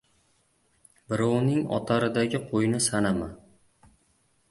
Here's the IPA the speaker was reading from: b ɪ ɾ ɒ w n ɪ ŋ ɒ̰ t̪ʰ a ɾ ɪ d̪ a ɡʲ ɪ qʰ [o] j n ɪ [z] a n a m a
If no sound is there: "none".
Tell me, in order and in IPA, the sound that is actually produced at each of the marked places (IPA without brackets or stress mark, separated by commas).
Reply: o, s